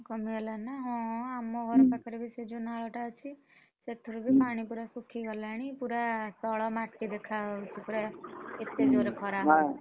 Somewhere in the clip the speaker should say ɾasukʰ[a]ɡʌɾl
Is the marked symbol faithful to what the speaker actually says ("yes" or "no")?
no